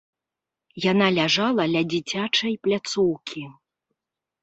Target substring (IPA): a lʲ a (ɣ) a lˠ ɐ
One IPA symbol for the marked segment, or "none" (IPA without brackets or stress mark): ʐ